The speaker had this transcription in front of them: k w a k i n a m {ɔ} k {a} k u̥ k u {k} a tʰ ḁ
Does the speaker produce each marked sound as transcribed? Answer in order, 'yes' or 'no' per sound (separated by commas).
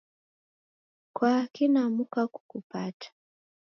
no, yes, no